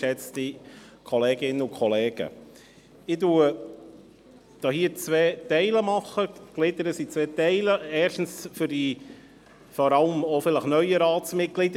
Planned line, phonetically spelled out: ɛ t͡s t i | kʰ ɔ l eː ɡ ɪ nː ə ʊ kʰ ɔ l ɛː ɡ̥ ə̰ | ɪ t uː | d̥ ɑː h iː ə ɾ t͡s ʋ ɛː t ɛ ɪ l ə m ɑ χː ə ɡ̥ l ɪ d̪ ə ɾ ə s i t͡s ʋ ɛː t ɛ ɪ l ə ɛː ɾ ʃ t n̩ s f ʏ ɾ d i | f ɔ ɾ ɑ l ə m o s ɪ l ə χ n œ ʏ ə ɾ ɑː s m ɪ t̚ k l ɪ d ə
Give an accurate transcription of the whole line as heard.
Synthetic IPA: ɛ t͡s t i | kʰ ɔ l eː ɡ ɪ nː ə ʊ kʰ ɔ l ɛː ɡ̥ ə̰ | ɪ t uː | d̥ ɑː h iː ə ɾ t͡s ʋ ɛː t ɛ ɪ l ə m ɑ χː ə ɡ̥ l ɪ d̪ ə ɾ ə s i t͡s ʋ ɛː t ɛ ɪ l ə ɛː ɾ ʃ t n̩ s f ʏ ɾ d i | f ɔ ɾ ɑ l ə m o f ɪ l ə χ n œ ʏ ə ɾ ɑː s m ɪ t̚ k l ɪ d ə